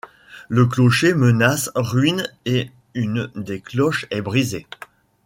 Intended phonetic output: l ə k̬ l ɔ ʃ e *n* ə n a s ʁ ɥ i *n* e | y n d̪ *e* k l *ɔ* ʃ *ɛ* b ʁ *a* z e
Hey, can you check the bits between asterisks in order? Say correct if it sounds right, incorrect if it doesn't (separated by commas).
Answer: incorrect, correct, correct, correct, correct, incorrect